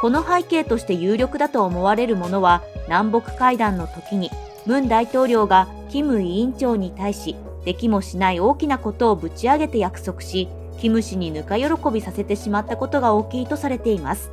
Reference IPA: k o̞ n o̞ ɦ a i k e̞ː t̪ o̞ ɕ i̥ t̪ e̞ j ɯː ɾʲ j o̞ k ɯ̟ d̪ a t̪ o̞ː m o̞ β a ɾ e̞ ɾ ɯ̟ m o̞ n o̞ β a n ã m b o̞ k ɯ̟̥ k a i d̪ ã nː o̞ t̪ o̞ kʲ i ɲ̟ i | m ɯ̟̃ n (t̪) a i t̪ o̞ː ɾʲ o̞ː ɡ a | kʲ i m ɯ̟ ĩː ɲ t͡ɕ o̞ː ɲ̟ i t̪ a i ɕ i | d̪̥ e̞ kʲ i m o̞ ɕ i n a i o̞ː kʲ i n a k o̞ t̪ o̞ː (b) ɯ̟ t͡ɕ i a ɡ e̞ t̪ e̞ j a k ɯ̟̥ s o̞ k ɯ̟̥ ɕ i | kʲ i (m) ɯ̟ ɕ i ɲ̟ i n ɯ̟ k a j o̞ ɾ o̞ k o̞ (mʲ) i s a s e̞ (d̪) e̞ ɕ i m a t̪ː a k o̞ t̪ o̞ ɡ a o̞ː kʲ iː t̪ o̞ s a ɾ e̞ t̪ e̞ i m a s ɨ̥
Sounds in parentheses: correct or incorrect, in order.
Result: incorrect: d̪, correct, correct, incorrect: bʲ, incorrect: t̪

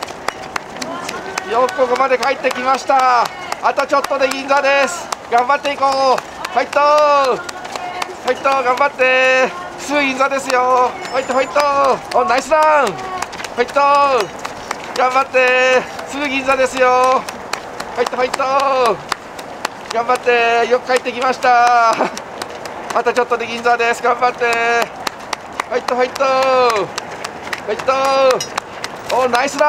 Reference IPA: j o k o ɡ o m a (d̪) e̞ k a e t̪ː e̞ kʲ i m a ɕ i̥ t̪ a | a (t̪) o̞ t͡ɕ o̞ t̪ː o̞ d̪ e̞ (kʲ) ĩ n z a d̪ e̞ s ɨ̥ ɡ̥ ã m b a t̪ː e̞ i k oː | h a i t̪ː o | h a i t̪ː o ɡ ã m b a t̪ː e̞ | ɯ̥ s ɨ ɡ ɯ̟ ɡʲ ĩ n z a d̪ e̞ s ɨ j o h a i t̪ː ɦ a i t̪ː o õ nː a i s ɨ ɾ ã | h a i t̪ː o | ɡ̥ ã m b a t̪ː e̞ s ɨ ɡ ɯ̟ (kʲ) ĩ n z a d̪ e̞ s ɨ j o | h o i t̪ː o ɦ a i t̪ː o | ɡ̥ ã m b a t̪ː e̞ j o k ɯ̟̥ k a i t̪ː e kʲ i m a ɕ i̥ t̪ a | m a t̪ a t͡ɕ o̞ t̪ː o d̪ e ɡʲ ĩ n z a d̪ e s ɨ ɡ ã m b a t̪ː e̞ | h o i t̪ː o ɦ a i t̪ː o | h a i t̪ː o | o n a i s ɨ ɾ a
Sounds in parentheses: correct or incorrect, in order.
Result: correct, correct, incorrect: ɡʲ, incorrect: ɡʲ

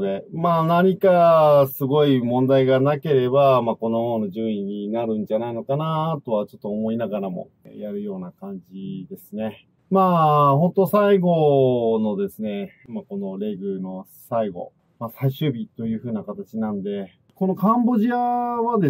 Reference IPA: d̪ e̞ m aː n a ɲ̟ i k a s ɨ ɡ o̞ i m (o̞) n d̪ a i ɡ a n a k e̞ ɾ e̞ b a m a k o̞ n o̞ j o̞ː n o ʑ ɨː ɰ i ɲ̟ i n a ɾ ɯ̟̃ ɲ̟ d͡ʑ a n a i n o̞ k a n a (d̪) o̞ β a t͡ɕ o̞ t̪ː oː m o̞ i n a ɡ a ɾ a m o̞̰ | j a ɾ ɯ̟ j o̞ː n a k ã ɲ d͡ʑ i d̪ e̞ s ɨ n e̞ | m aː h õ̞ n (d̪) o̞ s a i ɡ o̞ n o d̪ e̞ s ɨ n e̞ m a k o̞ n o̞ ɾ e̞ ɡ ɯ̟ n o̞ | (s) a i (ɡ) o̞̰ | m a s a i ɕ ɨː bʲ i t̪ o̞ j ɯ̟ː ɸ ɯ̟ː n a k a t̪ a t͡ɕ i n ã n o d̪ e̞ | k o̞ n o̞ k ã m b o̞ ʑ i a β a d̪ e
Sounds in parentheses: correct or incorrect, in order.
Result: incorrect: õ̞, incorrect: t̪, incorrect: t̪, correct, correct

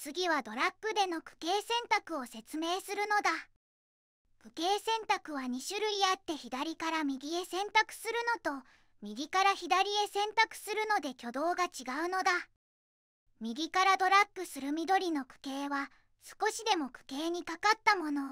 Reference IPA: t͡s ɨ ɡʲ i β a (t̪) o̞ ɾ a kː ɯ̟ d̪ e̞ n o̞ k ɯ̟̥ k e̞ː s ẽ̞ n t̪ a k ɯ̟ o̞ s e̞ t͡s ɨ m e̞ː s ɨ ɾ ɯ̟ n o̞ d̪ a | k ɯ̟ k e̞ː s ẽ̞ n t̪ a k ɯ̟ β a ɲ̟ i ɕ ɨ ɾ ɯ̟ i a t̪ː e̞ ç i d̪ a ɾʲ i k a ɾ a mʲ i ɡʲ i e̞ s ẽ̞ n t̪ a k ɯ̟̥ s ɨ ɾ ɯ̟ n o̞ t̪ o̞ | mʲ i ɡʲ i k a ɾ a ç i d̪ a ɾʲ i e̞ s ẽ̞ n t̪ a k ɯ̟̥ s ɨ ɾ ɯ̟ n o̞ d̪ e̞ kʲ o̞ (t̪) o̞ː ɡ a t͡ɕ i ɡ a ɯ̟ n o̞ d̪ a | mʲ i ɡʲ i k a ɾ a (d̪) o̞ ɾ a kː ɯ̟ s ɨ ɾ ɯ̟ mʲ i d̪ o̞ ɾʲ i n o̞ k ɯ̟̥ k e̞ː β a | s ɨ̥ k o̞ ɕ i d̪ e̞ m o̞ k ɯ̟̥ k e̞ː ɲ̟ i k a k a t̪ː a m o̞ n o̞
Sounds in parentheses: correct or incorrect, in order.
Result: incorrect: d̪, incorrect: d̪, correct

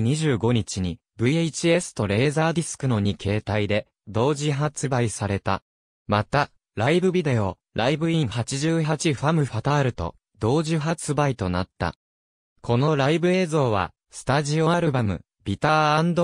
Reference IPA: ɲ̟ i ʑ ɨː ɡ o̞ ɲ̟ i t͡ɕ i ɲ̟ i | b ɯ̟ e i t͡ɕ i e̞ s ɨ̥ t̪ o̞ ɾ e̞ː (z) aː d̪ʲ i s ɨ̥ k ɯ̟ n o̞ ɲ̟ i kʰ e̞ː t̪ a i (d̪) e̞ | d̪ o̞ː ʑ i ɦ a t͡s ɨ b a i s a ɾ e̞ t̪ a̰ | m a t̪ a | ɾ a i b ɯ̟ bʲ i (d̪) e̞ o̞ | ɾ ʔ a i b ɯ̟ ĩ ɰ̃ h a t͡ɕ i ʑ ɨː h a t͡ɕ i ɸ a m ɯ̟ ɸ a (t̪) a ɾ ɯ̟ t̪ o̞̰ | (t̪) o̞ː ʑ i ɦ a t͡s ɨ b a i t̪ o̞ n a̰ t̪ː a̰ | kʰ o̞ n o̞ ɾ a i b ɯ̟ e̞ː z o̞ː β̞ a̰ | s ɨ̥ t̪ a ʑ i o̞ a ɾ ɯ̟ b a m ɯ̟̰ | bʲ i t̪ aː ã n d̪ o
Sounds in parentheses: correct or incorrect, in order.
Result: correct, correct, correct, correct, incorrect: d̪

